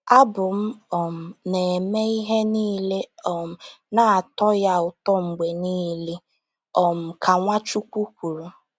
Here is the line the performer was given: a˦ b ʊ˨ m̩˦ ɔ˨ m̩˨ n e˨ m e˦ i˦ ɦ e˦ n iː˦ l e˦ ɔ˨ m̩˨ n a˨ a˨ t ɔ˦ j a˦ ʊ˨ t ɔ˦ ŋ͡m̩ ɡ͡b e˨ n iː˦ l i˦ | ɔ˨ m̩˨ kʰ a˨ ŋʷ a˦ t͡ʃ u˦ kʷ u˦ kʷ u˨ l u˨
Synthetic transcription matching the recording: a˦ b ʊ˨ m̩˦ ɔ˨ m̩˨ n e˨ m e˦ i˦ ɦ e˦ n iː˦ l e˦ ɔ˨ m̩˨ n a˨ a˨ t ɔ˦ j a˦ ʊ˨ t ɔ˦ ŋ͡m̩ ɡ͡b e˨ n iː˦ l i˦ | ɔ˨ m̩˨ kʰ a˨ ŋʷ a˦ t͡ʃ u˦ kʷ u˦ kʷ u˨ ɾ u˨